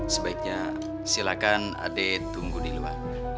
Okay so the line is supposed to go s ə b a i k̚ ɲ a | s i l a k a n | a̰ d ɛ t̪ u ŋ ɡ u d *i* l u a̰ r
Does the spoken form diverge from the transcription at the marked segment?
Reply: no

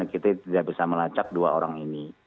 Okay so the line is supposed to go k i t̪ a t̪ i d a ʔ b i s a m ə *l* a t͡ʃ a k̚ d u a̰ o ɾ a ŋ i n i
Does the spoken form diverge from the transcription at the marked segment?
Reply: no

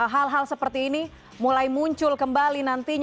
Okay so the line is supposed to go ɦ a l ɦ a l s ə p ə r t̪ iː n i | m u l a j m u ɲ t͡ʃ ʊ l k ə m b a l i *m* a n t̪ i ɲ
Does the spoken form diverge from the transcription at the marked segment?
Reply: yes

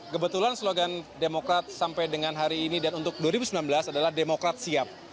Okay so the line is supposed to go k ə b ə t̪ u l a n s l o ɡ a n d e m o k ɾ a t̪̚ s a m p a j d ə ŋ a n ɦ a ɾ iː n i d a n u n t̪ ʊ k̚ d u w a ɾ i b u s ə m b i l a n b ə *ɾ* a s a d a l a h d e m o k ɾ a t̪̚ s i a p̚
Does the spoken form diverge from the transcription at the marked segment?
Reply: yes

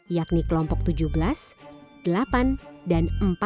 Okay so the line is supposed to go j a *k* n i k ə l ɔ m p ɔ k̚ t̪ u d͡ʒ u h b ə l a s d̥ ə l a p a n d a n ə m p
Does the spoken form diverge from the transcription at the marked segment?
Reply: no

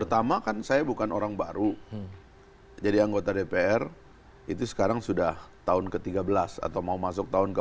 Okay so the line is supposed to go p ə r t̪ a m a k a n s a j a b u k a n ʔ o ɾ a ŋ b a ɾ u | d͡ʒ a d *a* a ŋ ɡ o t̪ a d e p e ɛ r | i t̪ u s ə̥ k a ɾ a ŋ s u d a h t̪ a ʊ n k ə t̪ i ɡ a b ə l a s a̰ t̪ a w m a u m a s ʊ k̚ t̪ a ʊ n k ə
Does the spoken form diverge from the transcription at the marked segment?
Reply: yes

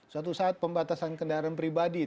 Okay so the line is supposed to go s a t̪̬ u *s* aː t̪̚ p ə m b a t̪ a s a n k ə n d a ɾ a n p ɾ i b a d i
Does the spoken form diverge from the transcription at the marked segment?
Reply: no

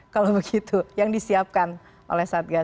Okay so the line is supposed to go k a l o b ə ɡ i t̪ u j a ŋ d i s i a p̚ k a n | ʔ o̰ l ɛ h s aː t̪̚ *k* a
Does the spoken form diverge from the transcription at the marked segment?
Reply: yes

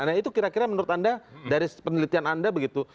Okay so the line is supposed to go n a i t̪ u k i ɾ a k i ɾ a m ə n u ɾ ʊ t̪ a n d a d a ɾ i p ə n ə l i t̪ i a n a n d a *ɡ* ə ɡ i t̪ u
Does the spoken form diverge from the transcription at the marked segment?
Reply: yes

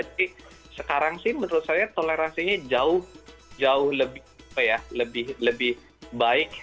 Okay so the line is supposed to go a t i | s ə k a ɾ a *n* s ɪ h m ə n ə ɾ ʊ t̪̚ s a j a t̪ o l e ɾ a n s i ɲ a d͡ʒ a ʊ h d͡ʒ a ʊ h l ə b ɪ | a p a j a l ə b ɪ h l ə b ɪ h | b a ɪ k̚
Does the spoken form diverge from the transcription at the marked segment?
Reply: yes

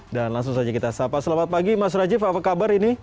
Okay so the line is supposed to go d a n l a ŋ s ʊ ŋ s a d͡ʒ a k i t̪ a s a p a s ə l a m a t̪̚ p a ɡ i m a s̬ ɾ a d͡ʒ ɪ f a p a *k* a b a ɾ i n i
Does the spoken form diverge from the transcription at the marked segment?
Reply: no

